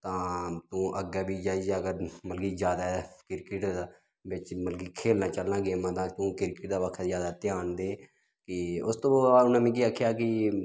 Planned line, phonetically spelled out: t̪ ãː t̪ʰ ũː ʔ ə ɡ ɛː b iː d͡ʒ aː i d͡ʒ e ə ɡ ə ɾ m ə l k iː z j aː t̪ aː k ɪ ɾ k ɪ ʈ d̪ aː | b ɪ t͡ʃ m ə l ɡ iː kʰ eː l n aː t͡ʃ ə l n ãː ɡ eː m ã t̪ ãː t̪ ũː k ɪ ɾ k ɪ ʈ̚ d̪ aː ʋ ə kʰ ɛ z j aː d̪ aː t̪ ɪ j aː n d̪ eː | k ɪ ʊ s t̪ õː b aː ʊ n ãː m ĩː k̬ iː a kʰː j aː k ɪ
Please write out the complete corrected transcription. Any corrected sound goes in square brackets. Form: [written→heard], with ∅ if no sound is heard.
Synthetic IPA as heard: t̪ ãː [t̪ʰ→t̪] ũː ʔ ə ɡ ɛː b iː d͡ʒ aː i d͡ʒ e ə ɡ ə ɾ m ə l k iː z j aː [t̪→d̪] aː k ɪ ɾ k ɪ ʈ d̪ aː | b ɪ t͡ʃ m ə l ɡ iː kʰ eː l n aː t͡ʃ ə l n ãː ɡ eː m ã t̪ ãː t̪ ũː k ɪ ɾ k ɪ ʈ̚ d̪ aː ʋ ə kʰ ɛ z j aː d̪ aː t̪ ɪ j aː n d̪ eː | k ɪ ʊ s t̪ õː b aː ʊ n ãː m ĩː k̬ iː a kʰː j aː k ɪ